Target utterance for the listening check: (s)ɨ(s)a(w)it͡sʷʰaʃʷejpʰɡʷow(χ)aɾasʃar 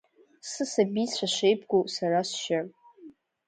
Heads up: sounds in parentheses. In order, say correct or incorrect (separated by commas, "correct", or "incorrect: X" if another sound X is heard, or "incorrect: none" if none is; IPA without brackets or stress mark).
correct, correct, incorrect: b, incorrect: s